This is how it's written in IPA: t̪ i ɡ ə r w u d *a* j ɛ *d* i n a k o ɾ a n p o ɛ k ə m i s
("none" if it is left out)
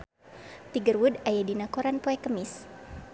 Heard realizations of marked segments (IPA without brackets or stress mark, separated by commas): a, d